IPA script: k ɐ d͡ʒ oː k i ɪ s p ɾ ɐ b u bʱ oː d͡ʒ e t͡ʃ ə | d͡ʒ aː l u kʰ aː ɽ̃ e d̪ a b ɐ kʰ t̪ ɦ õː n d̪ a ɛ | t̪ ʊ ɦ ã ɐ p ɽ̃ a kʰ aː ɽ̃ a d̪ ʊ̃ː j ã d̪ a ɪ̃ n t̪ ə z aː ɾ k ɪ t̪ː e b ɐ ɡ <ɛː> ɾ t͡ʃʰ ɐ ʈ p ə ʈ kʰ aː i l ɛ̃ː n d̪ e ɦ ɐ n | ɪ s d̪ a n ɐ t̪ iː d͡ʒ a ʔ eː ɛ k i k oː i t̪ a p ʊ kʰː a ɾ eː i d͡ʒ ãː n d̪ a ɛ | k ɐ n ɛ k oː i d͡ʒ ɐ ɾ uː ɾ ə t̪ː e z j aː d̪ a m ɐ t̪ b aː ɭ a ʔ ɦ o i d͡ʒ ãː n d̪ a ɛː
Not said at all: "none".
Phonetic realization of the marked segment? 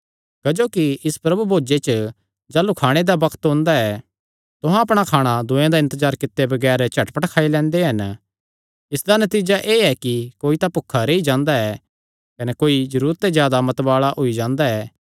ɛː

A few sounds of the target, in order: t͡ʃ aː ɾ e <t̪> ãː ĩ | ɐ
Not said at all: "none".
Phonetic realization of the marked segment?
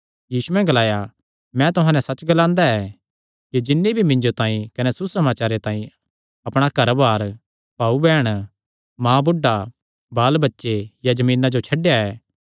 t̪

